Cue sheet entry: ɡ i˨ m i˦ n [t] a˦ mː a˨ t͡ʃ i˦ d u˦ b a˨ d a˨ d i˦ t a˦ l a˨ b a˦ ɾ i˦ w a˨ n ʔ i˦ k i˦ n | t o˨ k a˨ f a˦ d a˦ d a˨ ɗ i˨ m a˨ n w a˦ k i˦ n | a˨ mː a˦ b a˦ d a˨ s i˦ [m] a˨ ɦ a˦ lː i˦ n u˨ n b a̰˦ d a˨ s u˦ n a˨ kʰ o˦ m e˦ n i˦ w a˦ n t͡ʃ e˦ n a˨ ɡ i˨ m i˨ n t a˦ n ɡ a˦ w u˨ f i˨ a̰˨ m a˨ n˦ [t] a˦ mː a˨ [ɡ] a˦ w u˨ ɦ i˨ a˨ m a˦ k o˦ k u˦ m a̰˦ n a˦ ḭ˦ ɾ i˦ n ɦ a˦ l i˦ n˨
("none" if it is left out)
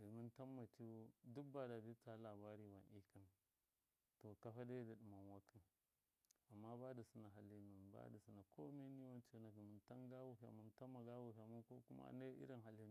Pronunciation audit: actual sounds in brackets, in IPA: t, n, t, ɡ

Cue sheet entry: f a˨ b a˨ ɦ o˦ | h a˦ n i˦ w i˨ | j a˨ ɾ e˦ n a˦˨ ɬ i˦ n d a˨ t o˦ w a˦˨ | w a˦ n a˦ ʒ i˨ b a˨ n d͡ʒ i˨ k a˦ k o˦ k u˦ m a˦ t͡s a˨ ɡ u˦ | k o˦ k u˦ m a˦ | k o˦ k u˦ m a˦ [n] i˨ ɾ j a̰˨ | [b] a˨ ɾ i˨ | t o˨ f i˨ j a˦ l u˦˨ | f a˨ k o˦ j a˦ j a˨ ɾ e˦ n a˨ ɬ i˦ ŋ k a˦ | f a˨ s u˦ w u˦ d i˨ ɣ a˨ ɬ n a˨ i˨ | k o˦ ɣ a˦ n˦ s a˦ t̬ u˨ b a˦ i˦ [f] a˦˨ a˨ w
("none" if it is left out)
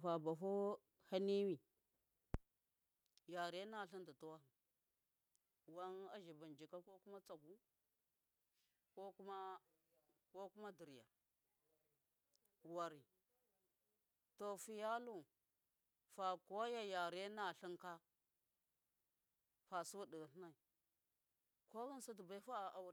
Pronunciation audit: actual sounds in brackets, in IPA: d, w, f

